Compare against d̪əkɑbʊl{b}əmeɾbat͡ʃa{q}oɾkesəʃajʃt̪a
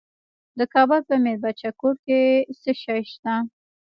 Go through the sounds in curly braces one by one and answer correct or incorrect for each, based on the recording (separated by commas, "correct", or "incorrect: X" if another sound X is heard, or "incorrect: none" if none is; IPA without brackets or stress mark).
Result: incorrect: p, incorrect: k